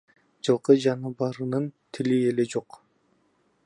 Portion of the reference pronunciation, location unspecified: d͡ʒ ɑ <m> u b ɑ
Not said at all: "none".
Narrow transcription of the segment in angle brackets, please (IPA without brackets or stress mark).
n